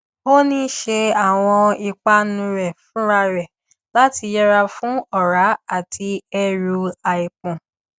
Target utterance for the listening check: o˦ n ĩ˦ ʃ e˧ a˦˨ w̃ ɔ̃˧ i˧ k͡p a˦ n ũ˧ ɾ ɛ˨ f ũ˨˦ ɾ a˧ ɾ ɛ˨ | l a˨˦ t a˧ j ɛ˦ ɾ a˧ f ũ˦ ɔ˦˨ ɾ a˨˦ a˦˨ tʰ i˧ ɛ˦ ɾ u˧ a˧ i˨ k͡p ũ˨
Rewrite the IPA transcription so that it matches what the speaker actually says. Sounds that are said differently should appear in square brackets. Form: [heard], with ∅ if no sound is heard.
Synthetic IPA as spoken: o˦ n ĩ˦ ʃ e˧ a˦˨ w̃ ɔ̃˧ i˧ k͡p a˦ n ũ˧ ɾ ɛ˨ f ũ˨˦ ɾ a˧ ɾ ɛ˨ | l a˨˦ t [i˧] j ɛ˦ ɾ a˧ f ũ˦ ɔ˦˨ ɾ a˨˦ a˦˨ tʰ i˧ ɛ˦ ɾ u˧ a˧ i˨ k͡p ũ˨